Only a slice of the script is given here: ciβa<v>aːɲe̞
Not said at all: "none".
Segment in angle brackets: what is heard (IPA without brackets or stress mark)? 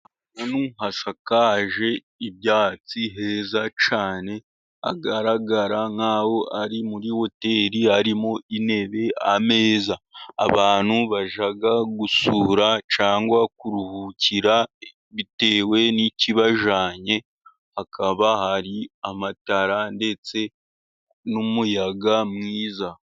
ʒ